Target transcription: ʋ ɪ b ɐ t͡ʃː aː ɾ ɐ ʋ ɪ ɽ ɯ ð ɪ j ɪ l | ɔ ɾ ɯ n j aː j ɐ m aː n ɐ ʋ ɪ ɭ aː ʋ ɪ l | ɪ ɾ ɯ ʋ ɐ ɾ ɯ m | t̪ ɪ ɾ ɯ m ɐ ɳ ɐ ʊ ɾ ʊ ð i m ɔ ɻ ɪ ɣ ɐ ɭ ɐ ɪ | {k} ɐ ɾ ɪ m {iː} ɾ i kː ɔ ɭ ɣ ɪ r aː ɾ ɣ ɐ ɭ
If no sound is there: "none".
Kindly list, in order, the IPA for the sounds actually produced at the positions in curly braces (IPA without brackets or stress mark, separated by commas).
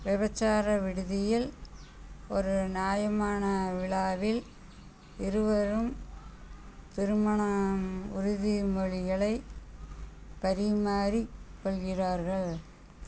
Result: p, aː